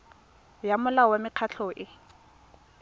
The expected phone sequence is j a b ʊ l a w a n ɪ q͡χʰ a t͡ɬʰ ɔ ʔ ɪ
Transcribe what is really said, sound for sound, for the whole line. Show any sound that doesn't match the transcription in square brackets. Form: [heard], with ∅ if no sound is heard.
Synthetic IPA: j a [m] ʊ l a w a [m] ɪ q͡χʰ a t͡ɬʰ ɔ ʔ ɪ